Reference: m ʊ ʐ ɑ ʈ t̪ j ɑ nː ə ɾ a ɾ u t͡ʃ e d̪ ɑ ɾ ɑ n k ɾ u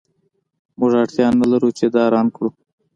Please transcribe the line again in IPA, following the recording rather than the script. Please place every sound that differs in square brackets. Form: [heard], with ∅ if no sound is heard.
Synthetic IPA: m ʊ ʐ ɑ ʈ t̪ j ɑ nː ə [l] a ɾ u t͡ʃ e d̪ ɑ ɾ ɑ n k [ɽ] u